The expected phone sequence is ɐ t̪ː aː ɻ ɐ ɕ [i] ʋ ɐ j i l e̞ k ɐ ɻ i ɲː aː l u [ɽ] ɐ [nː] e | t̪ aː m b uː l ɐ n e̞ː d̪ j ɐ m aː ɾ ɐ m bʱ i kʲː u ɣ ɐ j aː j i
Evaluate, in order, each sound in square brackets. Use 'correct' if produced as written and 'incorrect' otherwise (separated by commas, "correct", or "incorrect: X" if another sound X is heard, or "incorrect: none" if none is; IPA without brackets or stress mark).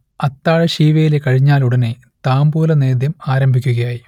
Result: incorrect: iː, correct, incorrect: n